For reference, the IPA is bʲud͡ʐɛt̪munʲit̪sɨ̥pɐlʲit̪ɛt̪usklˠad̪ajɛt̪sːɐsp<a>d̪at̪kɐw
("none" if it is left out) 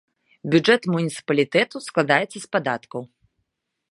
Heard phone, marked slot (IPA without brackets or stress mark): a